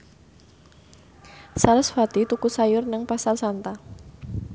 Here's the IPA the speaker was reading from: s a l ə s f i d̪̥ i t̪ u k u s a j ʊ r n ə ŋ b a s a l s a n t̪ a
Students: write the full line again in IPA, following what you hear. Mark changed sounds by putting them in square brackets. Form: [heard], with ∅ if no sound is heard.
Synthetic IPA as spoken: s a l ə s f [a] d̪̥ i t̪ u k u s a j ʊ r n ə ŋ [p] a s a l s a n t̪ a